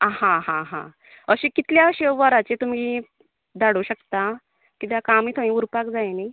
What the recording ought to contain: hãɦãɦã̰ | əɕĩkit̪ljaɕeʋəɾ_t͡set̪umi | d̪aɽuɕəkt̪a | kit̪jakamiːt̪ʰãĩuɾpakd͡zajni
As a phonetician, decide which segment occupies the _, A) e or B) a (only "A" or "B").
B